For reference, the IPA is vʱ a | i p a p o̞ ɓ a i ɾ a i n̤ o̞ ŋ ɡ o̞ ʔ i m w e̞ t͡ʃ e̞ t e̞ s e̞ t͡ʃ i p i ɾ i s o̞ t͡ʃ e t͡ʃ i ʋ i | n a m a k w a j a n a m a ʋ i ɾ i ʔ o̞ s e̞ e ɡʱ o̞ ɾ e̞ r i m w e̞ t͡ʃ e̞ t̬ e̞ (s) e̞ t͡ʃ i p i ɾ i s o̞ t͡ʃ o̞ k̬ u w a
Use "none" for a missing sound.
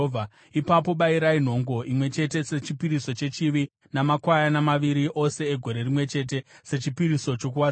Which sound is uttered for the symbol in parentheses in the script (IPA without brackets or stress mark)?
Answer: s